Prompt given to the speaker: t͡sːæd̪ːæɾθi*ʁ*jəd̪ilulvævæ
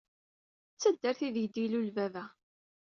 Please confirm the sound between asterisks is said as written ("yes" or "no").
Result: no